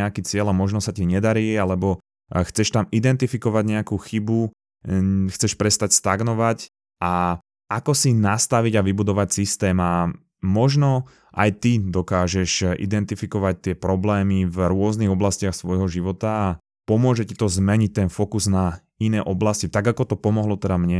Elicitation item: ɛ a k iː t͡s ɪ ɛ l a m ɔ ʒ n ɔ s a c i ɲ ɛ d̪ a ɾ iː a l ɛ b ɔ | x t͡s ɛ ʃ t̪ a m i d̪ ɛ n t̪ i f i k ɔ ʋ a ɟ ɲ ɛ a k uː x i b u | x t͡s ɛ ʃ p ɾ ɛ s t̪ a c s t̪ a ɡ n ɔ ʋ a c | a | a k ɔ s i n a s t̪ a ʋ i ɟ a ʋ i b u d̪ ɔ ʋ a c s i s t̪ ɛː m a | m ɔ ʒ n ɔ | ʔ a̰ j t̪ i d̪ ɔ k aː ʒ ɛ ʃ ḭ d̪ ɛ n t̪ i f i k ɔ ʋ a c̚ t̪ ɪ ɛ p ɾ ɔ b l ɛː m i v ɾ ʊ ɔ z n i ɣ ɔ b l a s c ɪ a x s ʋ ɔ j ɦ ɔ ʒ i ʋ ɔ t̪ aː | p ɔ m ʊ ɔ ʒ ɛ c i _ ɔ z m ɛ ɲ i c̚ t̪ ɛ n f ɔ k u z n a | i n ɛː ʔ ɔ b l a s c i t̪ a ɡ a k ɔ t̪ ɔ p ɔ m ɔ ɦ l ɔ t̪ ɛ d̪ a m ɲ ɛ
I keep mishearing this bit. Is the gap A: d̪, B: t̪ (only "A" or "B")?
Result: B